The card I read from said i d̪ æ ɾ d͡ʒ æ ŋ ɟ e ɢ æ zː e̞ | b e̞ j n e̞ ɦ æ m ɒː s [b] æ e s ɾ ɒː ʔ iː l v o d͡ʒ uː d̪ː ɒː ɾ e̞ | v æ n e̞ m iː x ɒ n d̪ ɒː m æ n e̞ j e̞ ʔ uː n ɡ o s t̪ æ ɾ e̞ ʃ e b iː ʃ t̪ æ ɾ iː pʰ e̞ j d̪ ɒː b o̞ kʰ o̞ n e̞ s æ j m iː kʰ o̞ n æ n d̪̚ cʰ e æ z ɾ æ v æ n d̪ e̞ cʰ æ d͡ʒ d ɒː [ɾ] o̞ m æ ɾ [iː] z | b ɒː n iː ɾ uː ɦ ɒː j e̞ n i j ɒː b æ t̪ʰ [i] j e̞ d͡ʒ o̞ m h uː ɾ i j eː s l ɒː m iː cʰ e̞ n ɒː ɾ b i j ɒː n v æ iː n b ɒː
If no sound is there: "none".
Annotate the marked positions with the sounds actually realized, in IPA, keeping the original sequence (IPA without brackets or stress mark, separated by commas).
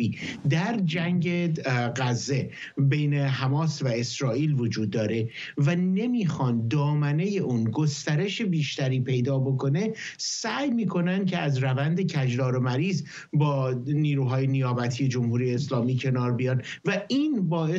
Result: v, ɾ, iː, i